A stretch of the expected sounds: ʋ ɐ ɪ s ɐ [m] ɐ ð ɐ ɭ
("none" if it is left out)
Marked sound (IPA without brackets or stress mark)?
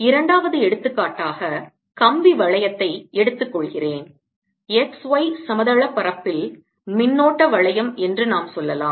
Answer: m